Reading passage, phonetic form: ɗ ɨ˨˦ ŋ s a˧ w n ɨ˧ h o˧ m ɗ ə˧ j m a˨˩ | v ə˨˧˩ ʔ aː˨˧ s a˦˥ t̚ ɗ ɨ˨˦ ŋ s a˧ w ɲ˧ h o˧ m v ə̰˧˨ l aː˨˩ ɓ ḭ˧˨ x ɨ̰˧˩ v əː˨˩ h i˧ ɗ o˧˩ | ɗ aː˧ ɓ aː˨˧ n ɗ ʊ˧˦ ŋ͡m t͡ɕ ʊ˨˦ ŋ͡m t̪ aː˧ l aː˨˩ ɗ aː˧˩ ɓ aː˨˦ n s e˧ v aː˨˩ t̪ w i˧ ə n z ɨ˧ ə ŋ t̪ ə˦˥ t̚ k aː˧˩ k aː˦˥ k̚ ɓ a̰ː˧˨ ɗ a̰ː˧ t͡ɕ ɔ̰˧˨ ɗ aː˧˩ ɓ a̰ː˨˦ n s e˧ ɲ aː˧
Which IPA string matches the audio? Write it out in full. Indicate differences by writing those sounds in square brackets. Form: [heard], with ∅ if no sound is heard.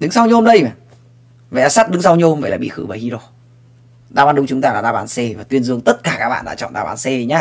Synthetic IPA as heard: ɗ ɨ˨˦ ŋ s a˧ w [ɲ] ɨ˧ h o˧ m ɗ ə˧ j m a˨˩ | v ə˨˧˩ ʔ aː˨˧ s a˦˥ t̚ ɗ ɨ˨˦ ŋ s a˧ w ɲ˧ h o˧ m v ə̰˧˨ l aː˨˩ ɓ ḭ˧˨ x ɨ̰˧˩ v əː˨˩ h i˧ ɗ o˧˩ | ɗ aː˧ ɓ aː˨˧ n ɗ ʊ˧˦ ŋ͡m t͡ɕ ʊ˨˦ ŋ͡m t̪ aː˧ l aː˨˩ ɗ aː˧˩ ɓ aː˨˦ n s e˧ v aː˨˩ t̪ w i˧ ə n z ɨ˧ ə ŋ t̪ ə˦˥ t̚ k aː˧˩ k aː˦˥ k̚ ɓ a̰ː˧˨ ɗ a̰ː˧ t͡ɕ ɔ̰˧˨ ɗ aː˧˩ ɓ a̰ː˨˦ n s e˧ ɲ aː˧